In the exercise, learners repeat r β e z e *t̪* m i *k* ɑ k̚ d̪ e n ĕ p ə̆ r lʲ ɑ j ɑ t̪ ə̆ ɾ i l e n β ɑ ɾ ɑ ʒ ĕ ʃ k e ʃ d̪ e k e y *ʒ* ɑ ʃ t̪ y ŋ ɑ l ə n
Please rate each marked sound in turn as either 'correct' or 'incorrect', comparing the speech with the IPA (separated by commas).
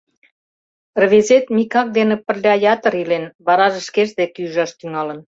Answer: correct, correct, correct